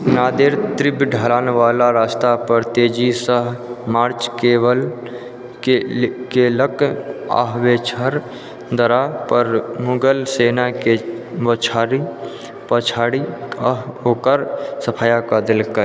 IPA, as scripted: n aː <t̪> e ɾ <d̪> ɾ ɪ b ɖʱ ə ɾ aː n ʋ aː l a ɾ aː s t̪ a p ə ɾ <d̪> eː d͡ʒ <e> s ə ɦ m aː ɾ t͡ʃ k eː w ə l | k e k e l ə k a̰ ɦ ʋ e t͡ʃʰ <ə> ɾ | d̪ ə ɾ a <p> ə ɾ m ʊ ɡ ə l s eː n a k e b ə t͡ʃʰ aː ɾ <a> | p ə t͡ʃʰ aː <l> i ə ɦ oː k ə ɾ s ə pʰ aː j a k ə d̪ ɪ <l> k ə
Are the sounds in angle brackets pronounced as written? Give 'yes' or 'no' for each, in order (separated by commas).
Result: no, no, no, no, yes, yes, no, no, yes